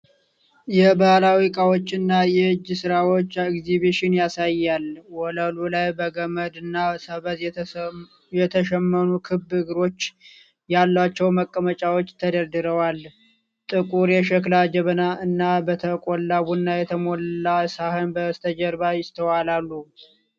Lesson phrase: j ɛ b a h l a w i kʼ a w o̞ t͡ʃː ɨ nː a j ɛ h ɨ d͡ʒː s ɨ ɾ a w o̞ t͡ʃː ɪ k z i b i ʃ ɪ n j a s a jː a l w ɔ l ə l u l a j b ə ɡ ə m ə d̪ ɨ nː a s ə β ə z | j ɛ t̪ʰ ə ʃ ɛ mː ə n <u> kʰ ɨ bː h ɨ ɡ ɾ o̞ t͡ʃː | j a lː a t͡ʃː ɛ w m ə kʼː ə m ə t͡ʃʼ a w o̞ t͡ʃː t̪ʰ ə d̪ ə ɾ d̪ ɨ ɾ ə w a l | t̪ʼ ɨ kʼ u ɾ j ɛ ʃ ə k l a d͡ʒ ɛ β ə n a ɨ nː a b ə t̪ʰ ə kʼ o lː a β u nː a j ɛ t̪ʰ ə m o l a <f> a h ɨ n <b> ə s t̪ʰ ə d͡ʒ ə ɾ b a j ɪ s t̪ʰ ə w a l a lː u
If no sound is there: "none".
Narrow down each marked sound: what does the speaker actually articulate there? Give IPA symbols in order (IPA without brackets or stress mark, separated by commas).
u, s, b